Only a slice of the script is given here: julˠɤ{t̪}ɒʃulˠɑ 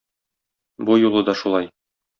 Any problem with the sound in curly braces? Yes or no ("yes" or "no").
yes